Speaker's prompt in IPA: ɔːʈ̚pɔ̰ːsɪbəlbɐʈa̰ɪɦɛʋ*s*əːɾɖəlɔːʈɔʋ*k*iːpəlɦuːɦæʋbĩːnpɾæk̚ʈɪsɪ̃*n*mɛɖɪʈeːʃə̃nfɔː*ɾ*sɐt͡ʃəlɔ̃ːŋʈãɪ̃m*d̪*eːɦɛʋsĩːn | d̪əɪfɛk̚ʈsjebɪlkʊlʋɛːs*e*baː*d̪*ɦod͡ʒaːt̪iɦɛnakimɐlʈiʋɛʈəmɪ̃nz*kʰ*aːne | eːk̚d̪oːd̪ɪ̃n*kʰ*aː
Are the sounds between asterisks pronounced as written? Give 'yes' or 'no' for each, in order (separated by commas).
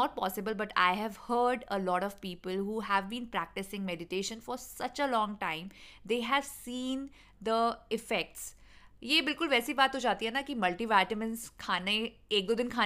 no, no, no, yes, yes, no, no, yes, yes